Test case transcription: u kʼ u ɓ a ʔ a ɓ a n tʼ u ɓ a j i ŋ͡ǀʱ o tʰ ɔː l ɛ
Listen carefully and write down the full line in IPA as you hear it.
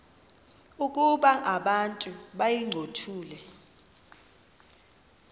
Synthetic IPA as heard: u kʼ u ɓ a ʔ a ɓ a n tʼ u ɓ a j i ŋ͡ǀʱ o tʰ uː l ɛ